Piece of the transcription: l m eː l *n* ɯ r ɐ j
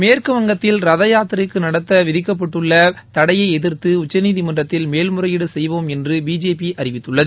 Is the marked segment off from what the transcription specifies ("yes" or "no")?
yes